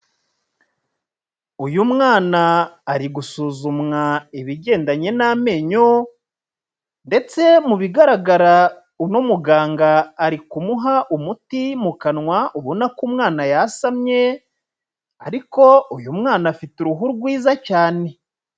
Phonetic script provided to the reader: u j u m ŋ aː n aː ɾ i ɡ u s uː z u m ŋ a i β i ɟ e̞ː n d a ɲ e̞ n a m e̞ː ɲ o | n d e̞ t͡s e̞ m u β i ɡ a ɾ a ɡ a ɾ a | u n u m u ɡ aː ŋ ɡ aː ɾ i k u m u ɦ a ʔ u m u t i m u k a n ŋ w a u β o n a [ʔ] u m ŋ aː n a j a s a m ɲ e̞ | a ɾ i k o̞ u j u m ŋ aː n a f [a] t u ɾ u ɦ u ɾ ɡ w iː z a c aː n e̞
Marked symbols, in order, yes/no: no, no

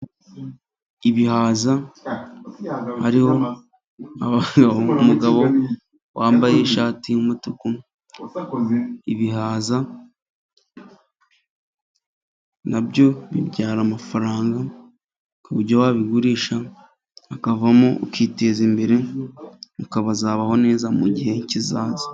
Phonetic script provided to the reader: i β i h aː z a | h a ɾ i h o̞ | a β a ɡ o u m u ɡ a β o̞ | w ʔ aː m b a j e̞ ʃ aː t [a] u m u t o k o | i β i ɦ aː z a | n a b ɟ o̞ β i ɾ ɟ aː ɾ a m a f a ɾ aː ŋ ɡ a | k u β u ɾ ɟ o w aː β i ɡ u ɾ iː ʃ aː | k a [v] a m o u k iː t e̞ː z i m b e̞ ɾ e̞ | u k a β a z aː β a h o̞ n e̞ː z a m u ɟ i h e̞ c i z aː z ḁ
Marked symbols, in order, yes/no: no, yes

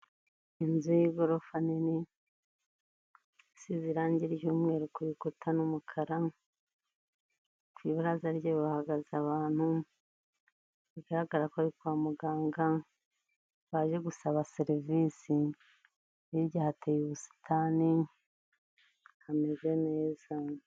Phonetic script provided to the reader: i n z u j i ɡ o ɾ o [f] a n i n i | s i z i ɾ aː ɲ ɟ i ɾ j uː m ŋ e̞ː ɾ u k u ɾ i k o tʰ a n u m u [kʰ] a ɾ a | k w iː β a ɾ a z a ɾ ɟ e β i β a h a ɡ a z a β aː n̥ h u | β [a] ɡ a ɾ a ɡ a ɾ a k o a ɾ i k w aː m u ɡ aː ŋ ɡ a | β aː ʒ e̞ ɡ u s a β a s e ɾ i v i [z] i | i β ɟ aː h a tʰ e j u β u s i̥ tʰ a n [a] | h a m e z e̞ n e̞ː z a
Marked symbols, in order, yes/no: yes, yes, no, no, no

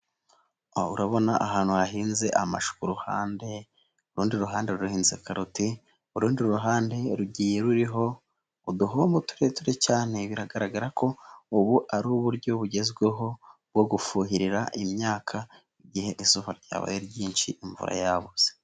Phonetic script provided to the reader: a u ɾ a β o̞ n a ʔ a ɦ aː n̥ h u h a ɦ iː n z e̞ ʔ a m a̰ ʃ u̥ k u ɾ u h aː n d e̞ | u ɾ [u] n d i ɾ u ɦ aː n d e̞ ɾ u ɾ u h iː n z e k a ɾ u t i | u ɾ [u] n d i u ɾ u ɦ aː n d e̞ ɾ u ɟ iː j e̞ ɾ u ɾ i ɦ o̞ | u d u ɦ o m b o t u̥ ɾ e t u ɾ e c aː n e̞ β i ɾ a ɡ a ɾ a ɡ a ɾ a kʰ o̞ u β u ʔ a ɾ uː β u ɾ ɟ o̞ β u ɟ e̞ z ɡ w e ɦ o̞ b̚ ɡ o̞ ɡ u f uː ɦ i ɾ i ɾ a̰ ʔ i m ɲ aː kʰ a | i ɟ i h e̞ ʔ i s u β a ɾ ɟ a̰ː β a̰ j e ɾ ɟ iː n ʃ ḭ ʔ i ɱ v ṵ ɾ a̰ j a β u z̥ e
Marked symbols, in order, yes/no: no, no

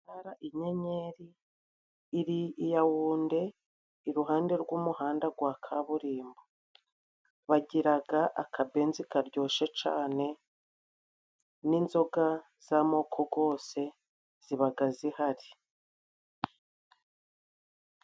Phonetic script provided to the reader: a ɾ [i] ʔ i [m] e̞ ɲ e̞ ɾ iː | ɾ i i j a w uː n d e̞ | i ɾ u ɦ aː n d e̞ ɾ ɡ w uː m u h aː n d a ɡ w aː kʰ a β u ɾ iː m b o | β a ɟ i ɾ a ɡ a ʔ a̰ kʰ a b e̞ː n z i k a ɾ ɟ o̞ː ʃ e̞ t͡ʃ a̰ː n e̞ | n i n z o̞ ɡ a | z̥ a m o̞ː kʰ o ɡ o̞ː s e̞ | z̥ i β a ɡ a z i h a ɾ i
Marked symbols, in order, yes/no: no, no

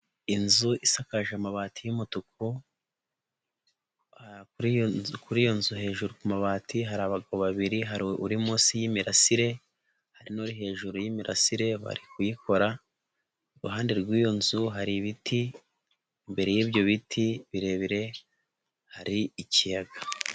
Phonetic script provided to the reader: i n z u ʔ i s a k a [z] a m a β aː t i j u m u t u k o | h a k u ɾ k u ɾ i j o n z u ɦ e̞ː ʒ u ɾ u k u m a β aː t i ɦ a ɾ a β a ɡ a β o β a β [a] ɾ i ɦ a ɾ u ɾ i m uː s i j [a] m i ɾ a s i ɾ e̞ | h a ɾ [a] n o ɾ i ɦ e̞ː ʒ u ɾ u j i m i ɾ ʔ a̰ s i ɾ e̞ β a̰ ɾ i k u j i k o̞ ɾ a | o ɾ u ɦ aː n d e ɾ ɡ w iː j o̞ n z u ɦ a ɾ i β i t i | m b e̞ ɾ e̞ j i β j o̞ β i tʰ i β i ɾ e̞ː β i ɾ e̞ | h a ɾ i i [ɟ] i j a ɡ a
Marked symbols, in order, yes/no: no, no, no, no, no

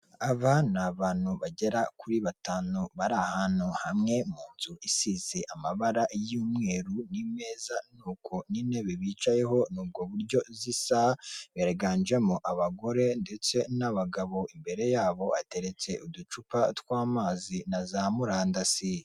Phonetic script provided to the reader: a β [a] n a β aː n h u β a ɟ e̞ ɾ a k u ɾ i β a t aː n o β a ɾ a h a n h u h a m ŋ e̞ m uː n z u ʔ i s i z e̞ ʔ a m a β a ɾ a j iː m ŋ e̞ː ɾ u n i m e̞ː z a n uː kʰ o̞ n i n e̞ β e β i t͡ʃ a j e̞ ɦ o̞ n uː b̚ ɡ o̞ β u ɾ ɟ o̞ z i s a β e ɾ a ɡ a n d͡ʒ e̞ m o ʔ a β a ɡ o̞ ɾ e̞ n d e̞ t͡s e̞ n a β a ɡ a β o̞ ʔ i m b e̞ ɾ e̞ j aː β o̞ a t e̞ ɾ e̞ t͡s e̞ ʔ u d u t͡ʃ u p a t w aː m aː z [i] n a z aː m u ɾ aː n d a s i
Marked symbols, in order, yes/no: yes, yes

